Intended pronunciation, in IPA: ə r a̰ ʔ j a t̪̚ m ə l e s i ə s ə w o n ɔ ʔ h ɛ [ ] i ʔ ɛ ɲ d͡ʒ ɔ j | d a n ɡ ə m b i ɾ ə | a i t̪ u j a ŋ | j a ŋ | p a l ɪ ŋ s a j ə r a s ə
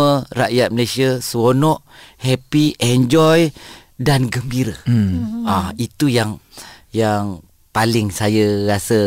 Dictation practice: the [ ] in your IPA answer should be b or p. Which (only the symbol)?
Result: p